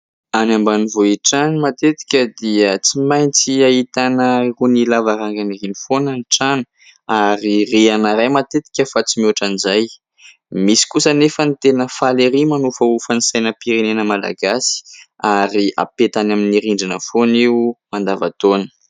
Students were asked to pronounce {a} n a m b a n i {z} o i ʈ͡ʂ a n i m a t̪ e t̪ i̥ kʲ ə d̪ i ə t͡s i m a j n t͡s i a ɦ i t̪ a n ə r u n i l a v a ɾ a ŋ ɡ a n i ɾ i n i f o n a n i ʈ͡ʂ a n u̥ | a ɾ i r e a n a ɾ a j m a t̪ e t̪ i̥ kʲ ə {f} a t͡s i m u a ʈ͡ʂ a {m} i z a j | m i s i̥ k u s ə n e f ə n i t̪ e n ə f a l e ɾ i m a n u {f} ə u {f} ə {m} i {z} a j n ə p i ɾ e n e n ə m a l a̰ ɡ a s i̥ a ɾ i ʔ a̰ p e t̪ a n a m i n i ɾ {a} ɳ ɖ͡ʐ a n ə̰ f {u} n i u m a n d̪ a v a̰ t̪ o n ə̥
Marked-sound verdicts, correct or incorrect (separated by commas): correct, incorrect, correct, incorrect, correct, correct, incorrect, incorrect, incorrect, incorrect